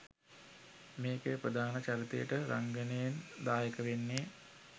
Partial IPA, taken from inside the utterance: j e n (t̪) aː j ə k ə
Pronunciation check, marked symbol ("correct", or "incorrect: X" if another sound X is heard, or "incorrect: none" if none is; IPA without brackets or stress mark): incorrect: d̪